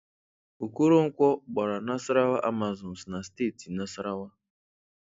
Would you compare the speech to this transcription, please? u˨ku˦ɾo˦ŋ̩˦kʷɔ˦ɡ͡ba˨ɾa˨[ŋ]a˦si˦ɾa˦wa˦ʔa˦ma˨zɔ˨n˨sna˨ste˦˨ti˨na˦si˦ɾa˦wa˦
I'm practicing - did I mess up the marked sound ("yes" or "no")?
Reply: yes